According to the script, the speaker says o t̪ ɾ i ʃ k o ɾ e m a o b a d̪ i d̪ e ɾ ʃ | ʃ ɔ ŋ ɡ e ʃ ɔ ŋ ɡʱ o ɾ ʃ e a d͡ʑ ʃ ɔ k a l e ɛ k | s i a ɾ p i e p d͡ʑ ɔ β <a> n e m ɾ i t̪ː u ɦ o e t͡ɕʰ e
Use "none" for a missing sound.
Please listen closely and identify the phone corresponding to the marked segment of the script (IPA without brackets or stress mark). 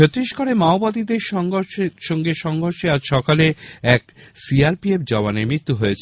a